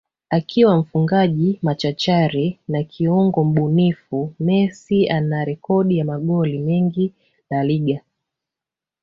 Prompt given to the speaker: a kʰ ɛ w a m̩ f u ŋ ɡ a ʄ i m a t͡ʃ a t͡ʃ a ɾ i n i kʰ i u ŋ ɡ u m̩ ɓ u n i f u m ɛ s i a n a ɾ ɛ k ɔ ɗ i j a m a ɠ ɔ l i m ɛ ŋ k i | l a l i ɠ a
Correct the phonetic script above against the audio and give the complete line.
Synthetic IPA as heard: a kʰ i w a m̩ f u ŋ ɡ a ʄ i m a t͡ʃ a t͡ʃ a ɾ i n a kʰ i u ŋ ɡ ɔ m̩ ɓ u n i f u m ɛ s i a n a ɾ ɛ k ɔ ɗ i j a m a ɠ ɔ l i m ɛ ŋ ɡ i | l a l i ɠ a

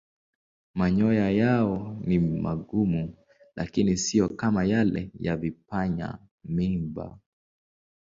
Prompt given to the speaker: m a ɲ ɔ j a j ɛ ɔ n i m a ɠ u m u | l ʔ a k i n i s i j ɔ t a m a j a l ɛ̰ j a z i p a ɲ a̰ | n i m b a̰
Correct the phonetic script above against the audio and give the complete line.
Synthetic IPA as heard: m a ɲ ɔ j a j a ɔ n i m a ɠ u m u | l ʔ a k i n i s i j ɔ k a m a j a l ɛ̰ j a v i p a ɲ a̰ | m i m b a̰

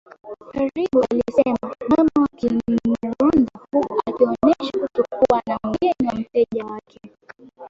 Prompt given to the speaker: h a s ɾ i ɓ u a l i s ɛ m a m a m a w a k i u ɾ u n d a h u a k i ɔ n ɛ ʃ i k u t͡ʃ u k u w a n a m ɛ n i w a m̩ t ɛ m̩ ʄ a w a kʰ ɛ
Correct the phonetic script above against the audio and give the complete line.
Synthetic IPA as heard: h a ɾ i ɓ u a l i s ɛ m a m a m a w a k i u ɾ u n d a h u a k i ɔ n ɛ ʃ a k u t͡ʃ u k u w a n a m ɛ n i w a m̩ t ɛ ʄ a w a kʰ ɛ

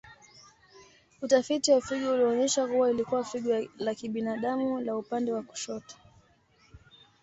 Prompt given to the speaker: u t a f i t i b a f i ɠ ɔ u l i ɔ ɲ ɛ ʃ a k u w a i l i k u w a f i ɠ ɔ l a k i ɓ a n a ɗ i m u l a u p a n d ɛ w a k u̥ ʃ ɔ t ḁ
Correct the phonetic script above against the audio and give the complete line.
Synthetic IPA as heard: u t a f i t i w a f i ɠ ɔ u l i ɔ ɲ ɛ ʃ a k u w a i l i k u w a f i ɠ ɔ l a k i ɓ i n a ɗ a m u l a u p a n d ɛ w a k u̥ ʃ ɔ t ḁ

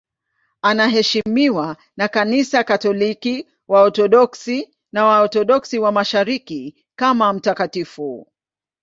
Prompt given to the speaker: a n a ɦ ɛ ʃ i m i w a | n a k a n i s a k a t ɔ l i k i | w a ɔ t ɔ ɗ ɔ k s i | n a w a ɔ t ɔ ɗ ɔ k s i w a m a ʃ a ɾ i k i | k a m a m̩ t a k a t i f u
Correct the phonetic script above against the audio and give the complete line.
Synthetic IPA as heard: a n a ɦ ɛ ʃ i m i w a | n a k a n i s a k a t ɔ l i k i | w a ɔ t ɔ ɗ ɔ k s i | n a w a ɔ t ɔ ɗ ɔ k s i w a m a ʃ a ɾ i k i | k a m a m̩ t a k a t i f u

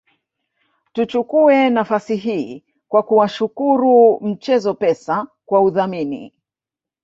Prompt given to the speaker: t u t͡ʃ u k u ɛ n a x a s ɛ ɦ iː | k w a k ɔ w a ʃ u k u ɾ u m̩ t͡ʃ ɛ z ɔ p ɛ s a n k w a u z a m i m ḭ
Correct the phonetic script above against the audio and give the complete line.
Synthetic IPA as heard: t u t͡ʃ u k u ɛ n a f a s i ɦ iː | k w a k u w a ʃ u k u ɾ u m̩ t͡ʃ ɛ z ɔ p ɛ s a k w a u ð a m i n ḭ

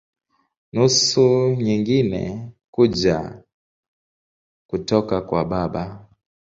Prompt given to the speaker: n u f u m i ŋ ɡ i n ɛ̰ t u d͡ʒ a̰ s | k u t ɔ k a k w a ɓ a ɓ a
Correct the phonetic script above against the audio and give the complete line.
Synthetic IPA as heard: n u s u ɲ i ŋ ɡ i n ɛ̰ k u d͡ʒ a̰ | k u t ɔ k a k w a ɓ a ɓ a

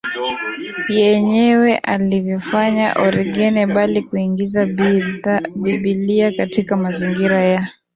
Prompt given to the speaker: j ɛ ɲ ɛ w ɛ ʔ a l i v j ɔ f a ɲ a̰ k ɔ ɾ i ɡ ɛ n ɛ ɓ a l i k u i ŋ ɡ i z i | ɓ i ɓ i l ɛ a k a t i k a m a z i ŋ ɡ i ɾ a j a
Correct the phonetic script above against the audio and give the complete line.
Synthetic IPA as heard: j ɛ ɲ ɛ w ɛ ʔ a l i v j ɔ f a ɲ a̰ ʔ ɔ ɾ i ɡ ɛ n ɛ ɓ a l i k u i ŋ ɡ i z a | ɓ i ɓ i l i a k a t i k a m a z i ŋ ɡ i ɾ a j a

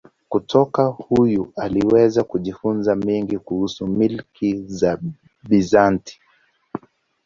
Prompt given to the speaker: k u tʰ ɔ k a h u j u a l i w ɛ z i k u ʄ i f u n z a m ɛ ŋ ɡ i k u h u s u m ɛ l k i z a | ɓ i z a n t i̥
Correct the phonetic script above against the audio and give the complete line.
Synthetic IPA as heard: k u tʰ ɔ k a h u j u a l i w ɛ z a k u ʄ i f u n z a m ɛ ŋ ɡ i k u h u s u m i l k i z a | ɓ i z a n t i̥

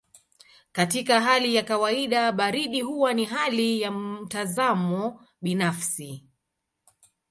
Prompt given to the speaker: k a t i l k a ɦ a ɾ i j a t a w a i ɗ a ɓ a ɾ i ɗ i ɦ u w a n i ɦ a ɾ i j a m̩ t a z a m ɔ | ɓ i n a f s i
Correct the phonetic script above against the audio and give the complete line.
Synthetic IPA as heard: k a t i k a ɦ a l i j a k a w a i ɗ a ɓ a ɾ i ɗ i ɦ u w a n i ɦ a l i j a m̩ t a z a m ɔ | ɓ i n a f s i

